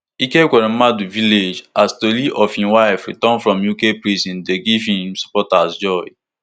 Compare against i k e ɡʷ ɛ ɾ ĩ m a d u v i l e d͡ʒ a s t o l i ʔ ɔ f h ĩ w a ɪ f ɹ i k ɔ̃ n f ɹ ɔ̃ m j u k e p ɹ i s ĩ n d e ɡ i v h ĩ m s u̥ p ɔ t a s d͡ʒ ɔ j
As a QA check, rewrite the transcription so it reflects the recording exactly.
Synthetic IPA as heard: i k e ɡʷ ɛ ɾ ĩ m a d u v i l e d͡ʒ a s t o l i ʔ ɔ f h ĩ w a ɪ f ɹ i t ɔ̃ n f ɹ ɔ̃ m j u k e p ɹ i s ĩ n d e ɡ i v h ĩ m s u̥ p ɔ t a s d͡ʒ ɔ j